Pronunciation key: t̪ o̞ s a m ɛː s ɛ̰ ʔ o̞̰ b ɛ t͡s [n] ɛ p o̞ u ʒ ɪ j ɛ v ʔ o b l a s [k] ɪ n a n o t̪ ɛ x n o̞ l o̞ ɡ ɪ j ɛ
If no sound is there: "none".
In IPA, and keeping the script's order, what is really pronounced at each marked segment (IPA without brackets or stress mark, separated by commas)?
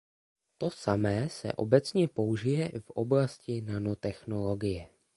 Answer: ɲ, c